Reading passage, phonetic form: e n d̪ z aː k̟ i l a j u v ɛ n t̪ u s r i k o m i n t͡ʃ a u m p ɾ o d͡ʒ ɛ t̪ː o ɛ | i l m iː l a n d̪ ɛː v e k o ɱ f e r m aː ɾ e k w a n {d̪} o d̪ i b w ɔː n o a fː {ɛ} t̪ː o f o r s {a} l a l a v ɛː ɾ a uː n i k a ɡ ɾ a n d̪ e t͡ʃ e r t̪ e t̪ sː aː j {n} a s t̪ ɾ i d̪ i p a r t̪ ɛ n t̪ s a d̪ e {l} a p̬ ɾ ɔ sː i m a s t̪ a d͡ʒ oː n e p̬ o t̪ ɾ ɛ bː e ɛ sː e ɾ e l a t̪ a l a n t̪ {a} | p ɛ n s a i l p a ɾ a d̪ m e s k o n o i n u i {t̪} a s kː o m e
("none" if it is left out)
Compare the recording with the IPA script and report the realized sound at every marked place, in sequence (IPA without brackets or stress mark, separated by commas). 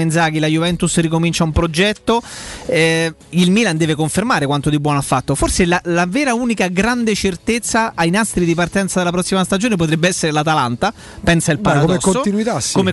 t̪, a, e, n, l, a, t̪